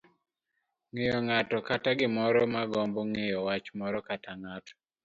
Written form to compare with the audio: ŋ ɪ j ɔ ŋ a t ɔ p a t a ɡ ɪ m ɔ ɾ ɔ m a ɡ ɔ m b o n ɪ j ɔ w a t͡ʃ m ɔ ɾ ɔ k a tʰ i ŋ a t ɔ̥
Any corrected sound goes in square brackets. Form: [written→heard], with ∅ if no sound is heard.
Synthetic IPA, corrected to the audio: ŋ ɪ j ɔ ŋ a t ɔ [p→k] a t a ɡ ɪ m ɔ ɾ ɔ m a ɡ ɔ m b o [n→ŋ] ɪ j ɔ w a t͡ʃ m ɔ ɾ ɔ k a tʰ [i→a] ŋ a t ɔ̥